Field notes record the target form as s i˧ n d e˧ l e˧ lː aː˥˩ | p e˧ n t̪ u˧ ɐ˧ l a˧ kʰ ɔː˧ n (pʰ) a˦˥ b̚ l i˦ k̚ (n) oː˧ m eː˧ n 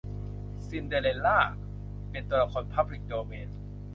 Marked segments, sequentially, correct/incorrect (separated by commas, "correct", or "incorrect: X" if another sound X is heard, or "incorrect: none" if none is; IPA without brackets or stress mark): correct, incorrect: d